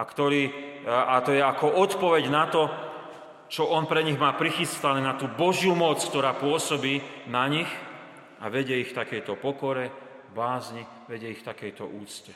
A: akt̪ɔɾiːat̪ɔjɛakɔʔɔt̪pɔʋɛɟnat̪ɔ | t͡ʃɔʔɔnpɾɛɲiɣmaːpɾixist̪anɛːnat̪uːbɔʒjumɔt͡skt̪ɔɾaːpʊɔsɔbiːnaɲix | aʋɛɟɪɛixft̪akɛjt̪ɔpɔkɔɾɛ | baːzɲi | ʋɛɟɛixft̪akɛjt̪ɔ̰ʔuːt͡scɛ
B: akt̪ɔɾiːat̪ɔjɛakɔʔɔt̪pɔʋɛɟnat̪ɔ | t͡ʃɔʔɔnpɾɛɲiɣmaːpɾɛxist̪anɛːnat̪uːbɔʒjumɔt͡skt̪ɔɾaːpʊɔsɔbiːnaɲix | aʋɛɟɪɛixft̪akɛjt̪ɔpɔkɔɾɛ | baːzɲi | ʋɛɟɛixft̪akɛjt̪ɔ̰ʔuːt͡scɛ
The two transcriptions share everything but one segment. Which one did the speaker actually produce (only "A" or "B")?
A